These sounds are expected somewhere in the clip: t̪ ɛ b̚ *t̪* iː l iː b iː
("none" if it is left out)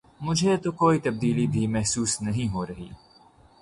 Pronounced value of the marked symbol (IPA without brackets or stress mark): d̪